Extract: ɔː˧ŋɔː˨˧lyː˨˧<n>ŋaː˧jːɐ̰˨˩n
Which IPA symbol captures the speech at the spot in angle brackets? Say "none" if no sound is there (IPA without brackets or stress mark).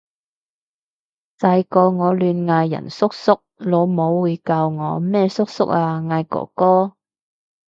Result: n